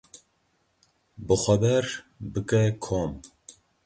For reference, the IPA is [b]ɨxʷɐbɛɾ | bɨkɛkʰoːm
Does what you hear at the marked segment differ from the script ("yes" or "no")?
no